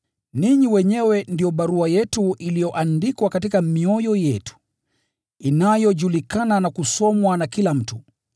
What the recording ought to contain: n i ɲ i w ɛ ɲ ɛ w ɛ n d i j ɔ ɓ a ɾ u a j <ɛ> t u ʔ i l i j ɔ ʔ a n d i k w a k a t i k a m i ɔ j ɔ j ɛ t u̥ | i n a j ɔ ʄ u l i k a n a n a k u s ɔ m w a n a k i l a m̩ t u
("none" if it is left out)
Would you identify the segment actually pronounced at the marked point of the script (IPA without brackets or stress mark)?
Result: ɛ